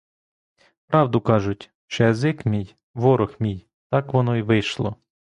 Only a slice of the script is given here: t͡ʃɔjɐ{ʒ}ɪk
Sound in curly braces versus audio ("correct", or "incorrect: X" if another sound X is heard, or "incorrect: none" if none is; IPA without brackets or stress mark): incorrect: z